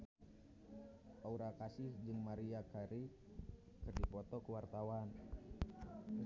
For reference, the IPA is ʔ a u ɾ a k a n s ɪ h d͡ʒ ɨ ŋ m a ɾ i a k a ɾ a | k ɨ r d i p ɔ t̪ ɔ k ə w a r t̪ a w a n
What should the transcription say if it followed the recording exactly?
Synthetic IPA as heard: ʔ a u ɾ a k a s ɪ h d͡ʒ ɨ ŋ m a ɾ i a k a ɾ i | k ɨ r d i p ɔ t̪ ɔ k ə w a r t̪ a w a n